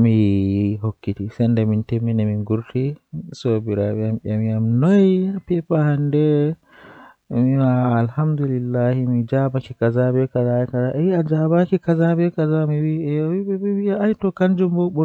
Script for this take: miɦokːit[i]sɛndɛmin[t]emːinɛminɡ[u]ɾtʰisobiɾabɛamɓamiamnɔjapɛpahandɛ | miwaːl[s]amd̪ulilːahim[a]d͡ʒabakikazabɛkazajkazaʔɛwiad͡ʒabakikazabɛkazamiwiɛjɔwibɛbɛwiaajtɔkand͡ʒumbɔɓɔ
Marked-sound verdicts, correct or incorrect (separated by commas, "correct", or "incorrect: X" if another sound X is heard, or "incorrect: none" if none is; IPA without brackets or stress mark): correct, correct, correct, incorrect: h, incorrect: i